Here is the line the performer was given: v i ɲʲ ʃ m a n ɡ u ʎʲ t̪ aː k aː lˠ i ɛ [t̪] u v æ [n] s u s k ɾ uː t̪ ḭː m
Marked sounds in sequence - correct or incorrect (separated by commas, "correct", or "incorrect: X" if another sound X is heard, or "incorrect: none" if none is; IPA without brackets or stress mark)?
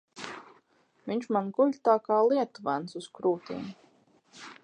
correct, correct